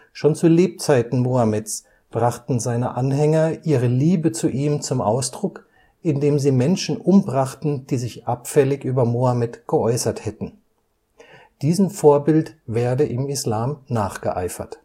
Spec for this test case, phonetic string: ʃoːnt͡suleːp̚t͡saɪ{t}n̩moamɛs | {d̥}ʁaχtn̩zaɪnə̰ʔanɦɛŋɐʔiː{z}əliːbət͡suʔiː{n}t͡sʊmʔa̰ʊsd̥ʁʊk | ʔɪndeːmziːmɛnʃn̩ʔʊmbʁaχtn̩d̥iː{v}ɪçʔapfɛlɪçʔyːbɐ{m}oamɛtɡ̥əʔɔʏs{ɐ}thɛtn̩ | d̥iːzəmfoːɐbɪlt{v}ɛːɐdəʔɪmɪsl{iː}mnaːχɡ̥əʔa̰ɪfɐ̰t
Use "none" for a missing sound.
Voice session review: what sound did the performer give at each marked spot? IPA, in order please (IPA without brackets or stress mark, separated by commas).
t, b̥, ʁ, m, z, m, ɐ, v, aː